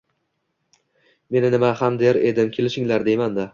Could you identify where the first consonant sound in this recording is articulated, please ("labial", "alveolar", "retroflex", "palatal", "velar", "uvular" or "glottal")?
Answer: labial